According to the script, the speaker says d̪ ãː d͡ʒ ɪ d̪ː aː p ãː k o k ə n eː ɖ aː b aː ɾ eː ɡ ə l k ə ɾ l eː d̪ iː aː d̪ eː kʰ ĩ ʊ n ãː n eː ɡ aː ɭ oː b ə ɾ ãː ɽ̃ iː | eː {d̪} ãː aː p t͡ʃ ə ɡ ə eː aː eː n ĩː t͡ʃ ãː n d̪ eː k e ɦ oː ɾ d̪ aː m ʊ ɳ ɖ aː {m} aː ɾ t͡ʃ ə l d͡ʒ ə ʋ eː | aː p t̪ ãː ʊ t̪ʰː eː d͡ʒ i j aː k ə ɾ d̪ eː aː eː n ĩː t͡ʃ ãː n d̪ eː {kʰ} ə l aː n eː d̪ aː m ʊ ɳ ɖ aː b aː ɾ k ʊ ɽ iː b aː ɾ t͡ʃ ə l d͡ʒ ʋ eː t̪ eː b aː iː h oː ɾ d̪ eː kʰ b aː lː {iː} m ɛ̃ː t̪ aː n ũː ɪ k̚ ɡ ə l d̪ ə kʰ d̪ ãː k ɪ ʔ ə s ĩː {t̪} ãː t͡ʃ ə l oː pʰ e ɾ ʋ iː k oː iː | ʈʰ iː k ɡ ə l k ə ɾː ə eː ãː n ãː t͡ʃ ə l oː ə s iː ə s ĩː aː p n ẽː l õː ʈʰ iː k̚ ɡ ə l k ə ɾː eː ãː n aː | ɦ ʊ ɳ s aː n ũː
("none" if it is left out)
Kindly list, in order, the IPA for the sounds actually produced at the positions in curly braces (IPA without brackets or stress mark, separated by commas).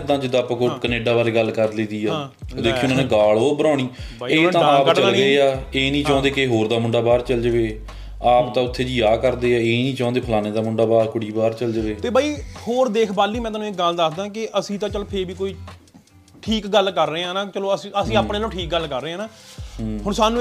t̪, b, pʰ, iː, t̪